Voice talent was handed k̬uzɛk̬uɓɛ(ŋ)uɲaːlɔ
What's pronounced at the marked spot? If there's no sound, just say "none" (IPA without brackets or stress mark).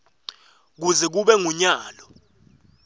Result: ŋ